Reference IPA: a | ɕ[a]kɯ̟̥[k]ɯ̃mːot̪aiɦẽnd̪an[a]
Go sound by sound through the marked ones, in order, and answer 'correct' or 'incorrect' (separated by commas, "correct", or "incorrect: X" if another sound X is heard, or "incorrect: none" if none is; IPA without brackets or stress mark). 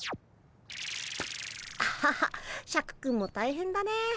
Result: correct, correct, incorrect: e